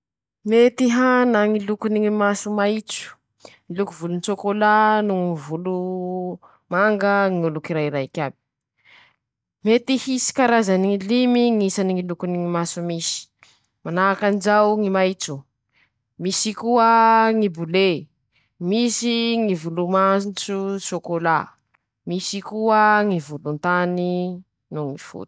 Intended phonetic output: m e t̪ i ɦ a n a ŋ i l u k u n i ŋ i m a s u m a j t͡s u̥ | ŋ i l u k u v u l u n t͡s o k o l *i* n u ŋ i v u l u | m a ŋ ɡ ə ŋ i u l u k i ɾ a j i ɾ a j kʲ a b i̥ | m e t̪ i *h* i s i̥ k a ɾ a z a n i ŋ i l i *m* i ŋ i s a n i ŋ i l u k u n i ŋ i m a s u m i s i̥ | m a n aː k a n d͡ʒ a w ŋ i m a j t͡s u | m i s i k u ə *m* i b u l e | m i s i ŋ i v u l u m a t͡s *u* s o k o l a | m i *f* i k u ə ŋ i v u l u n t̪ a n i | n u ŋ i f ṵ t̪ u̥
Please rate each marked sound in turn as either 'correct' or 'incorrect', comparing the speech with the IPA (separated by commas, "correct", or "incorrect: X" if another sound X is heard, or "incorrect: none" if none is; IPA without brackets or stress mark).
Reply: incorrect: a, correct, correct, incorrect: ŋ, correct, incorrect: s